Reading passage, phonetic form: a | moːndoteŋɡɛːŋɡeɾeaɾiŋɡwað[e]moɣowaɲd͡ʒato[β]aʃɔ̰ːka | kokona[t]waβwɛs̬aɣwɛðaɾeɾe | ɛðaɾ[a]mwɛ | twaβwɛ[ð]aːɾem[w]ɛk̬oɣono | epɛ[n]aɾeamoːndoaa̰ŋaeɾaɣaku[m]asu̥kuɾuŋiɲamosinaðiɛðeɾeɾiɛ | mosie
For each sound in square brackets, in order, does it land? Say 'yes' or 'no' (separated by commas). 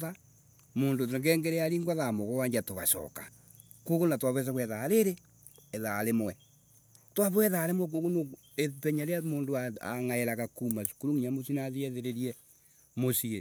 no, yes, yes, no, yes, yes, no, yes